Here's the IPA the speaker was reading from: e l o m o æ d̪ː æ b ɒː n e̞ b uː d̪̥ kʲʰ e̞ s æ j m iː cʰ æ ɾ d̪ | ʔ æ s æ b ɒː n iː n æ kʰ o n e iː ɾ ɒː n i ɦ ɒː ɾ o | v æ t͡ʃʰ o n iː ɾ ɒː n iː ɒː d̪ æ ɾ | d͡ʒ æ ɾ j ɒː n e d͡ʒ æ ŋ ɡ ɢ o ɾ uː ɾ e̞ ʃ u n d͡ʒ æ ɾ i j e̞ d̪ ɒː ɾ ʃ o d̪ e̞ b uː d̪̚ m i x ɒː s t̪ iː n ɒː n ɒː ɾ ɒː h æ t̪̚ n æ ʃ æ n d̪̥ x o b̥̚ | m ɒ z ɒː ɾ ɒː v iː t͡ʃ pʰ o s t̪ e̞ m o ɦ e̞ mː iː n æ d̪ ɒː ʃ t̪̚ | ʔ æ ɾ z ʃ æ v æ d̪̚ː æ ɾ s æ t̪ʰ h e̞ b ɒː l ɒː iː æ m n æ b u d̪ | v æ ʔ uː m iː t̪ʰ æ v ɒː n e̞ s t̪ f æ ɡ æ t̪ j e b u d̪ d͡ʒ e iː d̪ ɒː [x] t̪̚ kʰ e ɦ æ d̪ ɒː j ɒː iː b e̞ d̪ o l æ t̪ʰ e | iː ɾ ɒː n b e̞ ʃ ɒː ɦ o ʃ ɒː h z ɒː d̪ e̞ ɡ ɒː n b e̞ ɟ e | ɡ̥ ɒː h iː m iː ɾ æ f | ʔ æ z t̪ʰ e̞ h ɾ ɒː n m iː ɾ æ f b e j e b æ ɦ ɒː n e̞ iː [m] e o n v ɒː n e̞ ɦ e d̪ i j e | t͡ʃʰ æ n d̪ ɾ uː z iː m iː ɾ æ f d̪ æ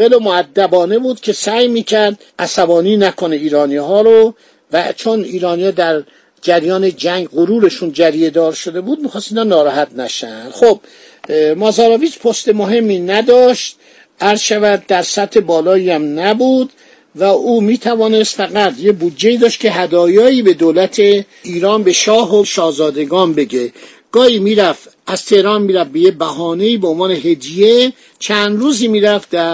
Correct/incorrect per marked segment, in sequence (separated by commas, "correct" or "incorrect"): incorrect, incorrect